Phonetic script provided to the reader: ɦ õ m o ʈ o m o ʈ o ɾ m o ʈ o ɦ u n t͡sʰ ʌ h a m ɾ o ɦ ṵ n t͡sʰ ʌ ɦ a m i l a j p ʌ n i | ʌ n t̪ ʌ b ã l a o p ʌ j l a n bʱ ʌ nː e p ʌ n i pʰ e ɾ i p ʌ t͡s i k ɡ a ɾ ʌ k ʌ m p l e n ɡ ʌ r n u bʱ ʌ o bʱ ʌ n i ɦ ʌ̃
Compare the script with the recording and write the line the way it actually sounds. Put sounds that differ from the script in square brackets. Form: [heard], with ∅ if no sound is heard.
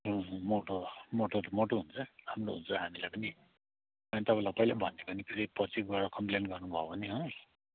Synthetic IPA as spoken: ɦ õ m o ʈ o m o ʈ o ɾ m o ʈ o ɦ u n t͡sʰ ʌ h a m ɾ o ɦ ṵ n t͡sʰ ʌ ɦ a m i l a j p ʌ n i | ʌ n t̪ ʌ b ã l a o p ʌ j l a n bʱ ʌ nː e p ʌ n i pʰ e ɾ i p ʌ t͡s i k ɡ a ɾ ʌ k ʌ m p l e n ɡ ʌ r n u bʱ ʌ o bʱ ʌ n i ɦ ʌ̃